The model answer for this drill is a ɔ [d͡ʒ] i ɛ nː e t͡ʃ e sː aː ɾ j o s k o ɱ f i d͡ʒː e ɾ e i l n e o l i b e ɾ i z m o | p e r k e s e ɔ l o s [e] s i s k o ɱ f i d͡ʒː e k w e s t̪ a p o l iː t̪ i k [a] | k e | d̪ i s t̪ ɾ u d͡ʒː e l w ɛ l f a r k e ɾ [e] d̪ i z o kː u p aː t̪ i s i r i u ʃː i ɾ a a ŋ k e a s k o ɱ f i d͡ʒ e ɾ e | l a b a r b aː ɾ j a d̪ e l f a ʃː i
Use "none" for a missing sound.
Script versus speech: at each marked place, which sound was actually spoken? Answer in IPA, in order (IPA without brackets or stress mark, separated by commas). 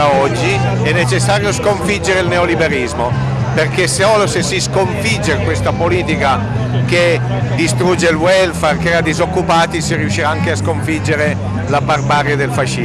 d͡ʒː, e, a, a